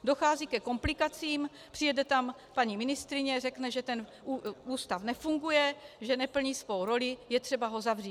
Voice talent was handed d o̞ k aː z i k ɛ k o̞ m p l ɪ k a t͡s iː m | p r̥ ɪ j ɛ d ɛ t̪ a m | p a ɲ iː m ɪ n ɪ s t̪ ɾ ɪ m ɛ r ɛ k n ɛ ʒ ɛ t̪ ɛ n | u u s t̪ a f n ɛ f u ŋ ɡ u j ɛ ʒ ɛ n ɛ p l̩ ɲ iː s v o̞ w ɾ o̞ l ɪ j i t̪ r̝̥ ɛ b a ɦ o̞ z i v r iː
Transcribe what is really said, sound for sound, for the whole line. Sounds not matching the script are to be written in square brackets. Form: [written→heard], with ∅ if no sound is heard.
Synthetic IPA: d o̞ [k→x] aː z i k ɛ k o̞ m p l ɪ k a t͡s iː m | p r̥ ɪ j ɛ d ɛ t̪ a m | p a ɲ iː m ɪ n ɪ s t̪ ɾ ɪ [m→ɲ] ɛ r ɛ k n ɛ ʒ ɛ t̪ ɛ n | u [u→uː] s t̪ a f n ɛ f u ŋ ɡ u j ɛ ʒ ɛ n ɛ p l̩ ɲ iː s v o̞ w ɾ o̞ l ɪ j [i→ɛ] t̪ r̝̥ ɛ b a ɦ o̞ z [i→a] v r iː